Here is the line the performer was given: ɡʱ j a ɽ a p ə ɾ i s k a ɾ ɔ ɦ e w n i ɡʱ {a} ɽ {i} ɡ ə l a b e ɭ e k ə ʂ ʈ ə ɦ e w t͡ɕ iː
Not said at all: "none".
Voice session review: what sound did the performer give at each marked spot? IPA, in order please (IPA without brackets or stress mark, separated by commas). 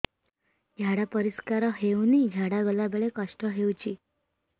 a, a